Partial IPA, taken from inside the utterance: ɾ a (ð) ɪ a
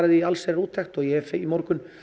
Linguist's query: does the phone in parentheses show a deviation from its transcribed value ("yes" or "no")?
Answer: no